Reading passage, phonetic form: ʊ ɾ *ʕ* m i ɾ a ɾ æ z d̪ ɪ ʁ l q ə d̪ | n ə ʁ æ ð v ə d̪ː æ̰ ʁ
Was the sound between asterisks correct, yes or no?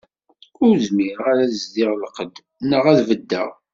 no